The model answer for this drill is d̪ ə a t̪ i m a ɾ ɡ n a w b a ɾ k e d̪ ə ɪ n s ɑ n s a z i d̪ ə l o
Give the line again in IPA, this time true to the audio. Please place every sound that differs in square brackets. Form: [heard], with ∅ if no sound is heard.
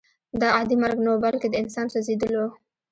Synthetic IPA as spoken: d̪ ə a [d̪] i m a ɾ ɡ n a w b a [l] k e d̪ ə ɪ n s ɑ n s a z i d̪ ə l o

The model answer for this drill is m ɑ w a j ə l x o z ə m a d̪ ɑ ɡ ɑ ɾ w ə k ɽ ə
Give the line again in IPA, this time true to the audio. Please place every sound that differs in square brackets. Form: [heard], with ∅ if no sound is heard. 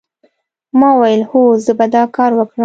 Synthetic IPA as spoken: m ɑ w a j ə l [h] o z ə [b] a d̪ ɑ [k] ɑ ɾ w ə k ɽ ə

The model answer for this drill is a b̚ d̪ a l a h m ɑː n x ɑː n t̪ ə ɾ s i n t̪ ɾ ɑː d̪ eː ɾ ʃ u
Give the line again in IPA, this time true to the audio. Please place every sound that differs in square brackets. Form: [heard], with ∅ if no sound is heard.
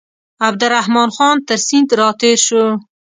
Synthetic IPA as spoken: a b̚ d̪ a [ɾ] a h m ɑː n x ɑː n t̪ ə ɾ s i n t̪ ɾ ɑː [t̪] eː ɾ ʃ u

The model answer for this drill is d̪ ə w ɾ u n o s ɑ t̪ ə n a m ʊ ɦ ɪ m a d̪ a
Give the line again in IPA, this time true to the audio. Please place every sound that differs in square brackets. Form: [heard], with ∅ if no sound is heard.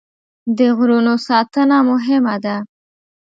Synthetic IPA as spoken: d̪ ə [ɣ] ɾ u n o s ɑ t̪ ə n a m ʊ ɦ ɪ m a d̪ a

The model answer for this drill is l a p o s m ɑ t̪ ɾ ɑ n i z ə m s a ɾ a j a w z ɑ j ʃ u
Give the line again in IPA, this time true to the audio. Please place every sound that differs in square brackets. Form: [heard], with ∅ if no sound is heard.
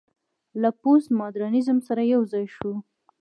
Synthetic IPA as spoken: l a p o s m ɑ [d̪] ɾ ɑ n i z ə m s a ɾ a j a w z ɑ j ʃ u

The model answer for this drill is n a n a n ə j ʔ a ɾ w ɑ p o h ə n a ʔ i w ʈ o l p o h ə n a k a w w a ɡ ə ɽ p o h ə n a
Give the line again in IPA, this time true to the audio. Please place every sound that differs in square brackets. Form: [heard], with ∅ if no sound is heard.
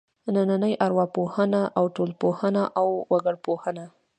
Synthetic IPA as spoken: n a n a n ə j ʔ a ɾ w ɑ p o h ə n a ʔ [a] w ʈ o l p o h ə n a [ʔ] a w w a ɡ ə ɽ p o h ə n a

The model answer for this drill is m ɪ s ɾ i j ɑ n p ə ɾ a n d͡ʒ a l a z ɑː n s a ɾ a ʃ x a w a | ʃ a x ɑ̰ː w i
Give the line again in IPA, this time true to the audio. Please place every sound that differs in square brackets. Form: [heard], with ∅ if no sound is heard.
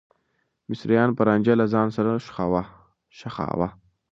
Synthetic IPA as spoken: m ɪ s ɾ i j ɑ n p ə ɾ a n d͡ʒ a l a z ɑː n s a ɾ a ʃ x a w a | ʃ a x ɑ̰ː w [a]

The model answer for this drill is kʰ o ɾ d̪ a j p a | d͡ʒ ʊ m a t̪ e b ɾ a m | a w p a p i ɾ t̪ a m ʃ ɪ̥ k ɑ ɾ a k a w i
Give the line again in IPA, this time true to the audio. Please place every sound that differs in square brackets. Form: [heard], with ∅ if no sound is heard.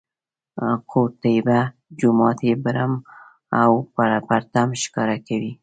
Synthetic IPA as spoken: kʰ o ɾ [t̪] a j [b] a | d͡ʒ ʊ m [ɑ] t̪ e b ɾ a m | a w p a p [a] ɾ t̪ a m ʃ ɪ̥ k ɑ ɾ a k a w i

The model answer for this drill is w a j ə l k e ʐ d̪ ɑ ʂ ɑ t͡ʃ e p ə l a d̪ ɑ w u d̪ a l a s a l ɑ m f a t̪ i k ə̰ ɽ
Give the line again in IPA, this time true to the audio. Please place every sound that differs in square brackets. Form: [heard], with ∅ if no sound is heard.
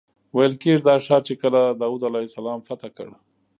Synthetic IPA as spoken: w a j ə l k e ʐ d̪ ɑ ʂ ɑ t͡ʃ e [k] ə l a d̪ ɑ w u d̪ a l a s a l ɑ m f a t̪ [a] k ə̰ ɽ

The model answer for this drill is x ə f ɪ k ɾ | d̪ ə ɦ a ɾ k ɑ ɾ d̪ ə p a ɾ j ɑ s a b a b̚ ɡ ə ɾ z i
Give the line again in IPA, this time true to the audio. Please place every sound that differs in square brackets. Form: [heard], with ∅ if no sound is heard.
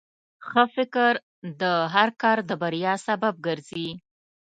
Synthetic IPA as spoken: x ə f ɪ k ɾ | d̪ ə ɦ a ɾ k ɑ ɾ d̪ ə [b] a ɾ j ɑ s a b a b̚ ɡ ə ɾ z i

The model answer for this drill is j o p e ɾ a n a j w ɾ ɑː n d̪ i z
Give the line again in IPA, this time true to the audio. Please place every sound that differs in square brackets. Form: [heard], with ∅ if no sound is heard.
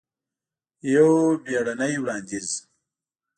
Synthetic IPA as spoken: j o [b] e [ɽ] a n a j w [ɽ] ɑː n d̪ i z

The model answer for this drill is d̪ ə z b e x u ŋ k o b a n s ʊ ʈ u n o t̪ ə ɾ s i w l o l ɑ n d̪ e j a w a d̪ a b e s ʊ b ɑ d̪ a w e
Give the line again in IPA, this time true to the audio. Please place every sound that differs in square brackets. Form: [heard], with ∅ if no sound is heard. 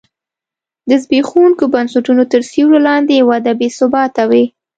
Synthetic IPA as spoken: d̪ ə z b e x u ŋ k o b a n s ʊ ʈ u n o t̪ ə ɾ s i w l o l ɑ n d̪ e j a w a d̪ a b e s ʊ b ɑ [t̪] a w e

